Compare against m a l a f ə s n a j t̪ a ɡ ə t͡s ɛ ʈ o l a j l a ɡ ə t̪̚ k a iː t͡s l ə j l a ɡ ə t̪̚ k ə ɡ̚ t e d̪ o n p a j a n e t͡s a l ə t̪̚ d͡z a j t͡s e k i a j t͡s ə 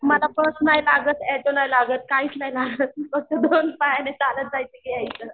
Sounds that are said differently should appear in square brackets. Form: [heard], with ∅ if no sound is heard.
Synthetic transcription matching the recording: m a l a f ə s n a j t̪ a ɡ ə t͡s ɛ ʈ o l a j l a ɡ ə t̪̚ k a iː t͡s l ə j l a ɡ ə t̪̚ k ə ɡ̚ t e d̪ o n p a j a n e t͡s a l ə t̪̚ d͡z a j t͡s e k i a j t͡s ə